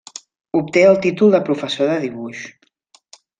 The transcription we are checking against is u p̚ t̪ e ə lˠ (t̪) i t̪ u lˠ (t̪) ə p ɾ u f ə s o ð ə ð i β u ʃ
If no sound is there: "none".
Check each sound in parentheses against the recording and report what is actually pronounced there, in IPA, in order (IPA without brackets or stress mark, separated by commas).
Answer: t̪, d̪